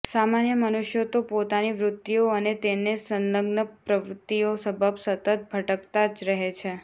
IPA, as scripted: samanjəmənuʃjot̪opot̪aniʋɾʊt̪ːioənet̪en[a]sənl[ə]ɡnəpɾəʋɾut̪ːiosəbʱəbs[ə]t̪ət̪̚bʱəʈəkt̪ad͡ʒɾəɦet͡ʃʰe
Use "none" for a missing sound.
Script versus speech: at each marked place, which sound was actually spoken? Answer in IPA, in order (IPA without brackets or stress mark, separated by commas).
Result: e, ə, ə